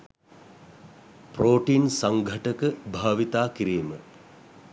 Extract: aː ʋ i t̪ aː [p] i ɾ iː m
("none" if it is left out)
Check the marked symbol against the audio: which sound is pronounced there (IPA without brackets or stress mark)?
k